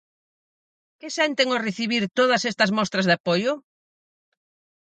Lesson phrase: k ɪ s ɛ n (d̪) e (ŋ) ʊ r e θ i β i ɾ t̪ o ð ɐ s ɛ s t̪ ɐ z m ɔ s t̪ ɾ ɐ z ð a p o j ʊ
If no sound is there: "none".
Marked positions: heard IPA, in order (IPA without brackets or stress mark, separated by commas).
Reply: t̪, ŋ